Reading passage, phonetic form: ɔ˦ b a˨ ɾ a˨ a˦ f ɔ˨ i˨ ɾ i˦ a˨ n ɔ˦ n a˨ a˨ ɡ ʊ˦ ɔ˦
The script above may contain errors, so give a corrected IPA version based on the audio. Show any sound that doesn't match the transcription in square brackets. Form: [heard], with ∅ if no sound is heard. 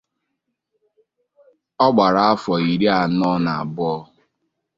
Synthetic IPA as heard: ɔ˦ [ɡ͡b] a˨ ɾ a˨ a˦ f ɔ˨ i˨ ɾ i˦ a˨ n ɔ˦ n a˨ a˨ [b] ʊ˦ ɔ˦

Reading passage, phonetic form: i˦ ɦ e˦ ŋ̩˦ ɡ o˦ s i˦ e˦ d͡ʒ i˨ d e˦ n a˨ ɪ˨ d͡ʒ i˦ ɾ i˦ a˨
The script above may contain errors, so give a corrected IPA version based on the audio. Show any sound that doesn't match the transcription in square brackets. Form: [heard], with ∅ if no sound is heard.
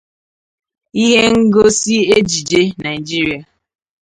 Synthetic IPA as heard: i˦ ɦ e˦ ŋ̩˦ ɡ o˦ s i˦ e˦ d͡ʒ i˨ [d͡ʒ] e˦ n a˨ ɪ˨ d͡ʒ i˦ ɾ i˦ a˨

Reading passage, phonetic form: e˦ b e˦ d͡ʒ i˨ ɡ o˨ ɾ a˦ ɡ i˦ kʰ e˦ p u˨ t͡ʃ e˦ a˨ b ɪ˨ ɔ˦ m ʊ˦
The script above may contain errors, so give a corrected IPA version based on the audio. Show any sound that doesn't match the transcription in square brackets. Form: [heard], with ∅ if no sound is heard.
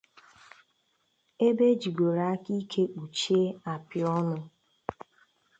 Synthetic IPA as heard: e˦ b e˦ d͡ʒ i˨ ɡ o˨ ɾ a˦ [k] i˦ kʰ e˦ [k͡p] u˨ t͡ʃ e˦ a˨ [p] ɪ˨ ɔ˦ [n] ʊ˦

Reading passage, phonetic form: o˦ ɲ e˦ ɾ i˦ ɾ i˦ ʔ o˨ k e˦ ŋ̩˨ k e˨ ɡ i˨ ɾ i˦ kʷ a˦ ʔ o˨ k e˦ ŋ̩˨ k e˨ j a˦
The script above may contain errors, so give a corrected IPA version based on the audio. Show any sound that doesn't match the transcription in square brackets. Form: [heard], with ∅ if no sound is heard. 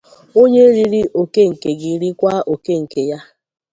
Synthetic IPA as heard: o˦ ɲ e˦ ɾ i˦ ɾ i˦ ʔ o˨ k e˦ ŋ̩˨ k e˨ ɡ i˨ ɾ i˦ kʷ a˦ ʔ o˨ k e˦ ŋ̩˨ k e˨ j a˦

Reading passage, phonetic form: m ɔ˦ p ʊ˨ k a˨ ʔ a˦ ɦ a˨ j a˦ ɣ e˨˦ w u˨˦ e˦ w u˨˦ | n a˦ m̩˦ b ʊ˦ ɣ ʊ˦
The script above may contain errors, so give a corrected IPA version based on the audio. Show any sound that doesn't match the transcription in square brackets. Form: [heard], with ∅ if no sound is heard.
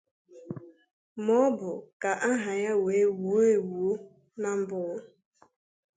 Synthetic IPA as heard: m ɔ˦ [b] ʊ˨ k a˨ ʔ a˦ ɦ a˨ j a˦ [w] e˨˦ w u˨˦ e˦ w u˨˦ | n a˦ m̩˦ b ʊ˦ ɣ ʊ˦

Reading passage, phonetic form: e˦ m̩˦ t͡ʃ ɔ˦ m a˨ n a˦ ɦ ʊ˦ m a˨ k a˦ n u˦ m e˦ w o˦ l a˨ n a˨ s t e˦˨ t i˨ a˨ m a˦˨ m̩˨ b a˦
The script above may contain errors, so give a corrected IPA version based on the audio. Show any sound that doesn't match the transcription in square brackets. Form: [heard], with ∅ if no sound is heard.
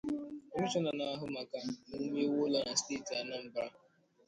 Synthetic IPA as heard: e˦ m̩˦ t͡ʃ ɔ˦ [n] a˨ n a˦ ɦ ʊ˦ m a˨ k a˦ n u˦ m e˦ w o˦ l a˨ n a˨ s t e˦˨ t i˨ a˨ [n] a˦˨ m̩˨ b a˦

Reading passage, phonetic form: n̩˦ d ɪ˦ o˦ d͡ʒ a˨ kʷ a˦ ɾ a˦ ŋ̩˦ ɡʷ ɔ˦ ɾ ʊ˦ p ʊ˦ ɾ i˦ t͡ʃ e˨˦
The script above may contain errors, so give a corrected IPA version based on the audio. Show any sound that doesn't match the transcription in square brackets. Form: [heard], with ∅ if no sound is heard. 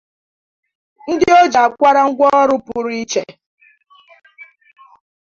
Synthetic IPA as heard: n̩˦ d ɪ˦ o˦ d͡ʒ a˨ kʷ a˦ ɾ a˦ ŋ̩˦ ɡʷ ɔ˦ ɾ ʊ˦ p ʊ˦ ɾ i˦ t͡ʃ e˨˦

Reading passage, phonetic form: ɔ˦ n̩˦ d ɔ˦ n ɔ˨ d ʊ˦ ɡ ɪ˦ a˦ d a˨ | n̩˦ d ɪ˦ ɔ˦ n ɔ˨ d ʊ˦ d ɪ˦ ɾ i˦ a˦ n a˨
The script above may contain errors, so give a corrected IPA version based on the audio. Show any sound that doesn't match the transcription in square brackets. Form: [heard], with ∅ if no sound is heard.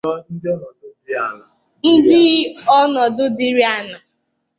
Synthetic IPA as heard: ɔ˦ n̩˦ d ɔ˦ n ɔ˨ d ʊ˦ [d] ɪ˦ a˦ [n] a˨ | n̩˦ d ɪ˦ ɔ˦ n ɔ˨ d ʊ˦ d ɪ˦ ɾ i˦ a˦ n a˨

